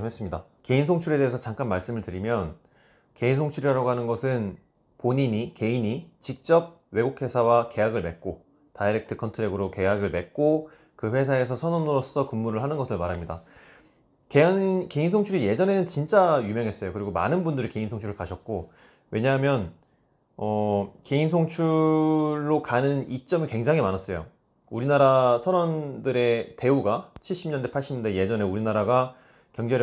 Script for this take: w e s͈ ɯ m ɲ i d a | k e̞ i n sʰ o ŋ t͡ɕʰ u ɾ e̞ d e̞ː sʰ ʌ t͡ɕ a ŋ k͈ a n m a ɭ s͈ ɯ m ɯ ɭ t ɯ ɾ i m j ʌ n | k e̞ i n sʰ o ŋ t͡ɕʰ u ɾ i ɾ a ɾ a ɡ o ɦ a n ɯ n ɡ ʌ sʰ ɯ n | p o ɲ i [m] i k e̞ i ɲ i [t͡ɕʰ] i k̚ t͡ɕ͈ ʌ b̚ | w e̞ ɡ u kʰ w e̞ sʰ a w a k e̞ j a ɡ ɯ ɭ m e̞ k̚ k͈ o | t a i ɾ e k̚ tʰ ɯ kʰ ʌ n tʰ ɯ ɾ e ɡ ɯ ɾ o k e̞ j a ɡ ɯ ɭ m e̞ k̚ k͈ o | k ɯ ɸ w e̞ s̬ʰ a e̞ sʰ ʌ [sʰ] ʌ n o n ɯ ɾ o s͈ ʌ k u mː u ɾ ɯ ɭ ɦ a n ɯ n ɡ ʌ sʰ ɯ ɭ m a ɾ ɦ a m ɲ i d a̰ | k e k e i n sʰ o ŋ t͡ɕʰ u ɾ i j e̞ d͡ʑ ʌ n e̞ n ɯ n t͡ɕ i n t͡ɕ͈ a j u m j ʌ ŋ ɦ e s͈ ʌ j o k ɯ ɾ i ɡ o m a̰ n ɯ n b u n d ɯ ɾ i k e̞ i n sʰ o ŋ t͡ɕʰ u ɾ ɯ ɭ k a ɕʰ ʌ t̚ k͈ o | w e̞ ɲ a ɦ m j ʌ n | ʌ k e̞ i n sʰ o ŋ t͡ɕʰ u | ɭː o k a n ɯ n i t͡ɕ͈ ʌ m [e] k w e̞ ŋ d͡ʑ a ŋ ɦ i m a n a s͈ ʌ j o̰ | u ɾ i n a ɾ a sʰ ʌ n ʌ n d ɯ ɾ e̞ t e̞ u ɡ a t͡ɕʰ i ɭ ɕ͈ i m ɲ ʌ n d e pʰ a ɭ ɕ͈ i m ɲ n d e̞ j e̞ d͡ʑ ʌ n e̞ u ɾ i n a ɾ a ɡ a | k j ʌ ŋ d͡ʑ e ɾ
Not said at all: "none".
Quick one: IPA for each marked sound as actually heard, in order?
ɲ, t͡ɕ, sʰ, i

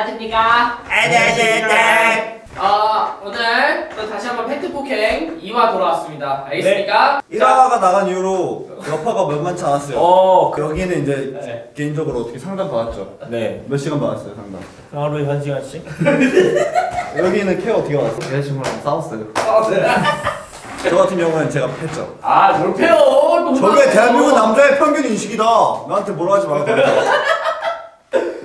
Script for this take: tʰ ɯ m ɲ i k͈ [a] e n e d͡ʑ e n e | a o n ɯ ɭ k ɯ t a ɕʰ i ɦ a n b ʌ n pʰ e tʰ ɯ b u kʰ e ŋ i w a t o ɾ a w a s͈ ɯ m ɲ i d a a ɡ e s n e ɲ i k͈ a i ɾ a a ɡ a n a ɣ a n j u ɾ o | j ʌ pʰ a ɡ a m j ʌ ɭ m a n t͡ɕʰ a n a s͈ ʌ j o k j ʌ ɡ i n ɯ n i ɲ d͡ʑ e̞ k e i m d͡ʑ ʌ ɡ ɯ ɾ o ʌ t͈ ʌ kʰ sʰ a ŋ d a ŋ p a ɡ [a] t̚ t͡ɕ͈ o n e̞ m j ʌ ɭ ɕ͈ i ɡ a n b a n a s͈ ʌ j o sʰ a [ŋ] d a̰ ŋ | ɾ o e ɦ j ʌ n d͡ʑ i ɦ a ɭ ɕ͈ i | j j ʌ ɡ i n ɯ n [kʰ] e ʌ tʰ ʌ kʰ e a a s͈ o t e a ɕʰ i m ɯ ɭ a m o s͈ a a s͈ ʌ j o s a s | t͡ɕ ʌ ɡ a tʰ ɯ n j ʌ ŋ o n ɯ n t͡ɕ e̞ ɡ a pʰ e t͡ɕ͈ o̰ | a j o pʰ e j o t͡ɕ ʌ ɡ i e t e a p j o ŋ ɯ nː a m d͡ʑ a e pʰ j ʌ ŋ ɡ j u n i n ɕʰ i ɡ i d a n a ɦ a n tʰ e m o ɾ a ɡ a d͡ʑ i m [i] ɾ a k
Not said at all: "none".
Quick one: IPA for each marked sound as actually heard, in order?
a, a, ŋ, kʰ, a

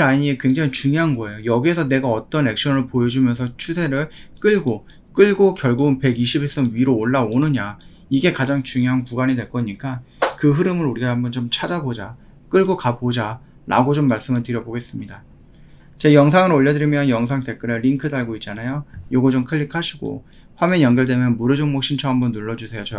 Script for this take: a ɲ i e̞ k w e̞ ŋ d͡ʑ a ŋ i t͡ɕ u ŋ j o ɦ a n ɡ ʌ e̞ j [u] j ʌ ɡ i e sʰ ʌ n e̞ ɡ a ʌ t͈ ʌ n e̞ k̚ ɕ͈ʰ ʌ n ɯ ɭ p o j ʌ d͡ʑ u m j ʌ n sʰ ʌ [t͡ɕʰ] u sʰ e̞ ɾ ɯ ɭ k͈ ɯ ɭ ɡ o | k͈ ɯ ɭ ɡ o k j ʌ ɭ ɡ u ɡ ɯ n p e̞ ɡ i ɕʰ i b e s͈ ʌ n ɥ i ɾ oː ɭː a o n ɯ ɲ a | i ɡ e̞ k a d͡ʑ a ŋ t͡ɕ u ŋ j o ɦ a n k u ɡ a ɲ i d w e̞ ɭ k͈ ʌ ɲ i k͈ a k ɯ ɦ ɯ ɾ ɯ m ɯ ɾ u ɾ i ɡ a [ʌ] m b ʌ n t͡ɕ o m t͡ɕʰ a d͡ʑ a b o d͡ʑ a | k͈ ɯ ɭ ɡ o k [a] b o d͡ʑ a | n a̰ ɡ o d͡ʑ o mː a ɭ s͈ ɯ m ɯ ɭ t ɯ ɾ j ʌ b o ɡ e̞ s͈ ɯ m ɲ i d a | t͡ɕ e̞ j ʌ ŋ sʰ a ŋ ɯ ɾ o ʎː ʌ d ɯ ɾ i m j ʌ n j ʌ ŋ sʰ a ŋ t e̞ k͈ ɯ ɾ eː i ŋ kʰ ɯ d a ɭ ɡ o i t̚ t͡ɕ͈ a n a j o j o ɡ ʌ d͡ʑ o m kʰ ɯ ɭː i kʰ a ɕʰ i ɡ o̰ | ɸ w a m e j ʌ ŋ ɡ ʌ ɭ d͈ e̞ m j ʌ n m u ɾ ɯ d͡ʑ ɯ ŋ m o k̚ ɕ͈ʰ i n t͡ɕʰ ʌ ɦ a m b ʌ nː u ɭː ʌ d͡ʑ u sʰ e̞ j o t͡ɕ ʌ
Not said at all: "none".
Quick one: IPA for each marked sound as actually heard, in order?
o, t͡ɕʰ, a, a

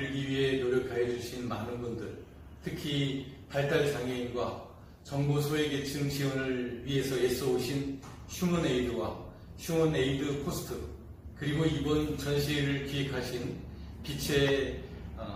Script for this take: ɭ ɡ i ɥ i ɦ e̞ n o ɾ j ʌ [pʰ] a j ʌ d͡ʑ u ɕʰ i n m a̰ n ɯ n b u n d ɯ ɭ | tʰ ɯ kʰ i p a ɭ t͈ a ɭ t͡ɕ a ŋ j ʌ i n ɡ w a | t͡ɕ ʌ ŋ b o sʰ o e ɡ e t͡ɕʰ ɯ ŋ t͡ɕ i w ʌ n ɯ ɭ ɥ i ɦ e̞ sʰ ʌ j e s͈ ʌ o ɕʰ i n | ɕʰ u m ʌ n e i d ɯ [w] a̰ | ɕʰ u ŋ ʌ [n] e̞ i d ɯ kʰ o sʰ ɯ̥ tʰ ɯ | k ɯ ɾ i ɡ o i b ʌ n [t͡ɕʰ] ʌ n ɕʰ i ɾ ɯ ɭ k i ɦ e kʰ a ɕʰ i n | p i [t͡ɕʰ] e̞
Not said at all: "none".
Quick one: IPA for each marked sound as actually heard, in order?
kʰ, w, n, t͡ɕ, t͡ɕʰ

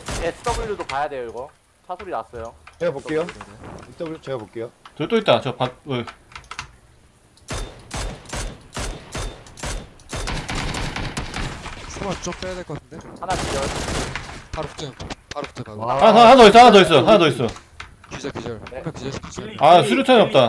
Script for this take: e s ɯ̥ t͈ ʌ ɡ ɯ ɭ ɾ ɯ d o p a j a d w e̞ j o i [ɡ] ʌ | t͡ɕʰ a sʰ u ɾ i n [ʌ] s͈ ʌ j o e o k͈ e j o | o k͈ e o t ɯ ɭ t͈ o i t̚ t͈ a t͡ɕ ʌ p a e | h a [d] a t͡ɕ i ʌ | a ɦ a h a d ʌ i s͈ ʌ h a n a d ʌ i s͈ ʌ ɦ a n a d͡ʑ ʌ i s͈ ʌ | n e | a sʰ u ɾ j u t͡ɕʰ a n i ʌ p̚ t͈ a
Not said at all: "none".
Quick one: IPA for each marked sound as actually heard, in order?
ɡ, a, n

